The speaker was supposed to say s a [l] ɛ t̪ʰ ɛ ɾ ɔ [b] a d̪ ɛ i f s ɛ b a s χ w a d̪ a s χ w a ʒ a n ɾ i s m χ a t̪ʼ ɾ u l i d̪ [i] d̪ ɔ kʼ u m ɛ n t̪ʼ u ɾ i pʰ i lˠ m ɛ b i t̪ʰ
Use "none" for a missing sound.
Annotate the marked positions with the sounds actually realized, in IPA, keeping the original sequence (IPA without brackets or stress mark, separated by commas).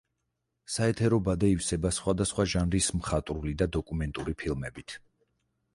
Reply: none, b, a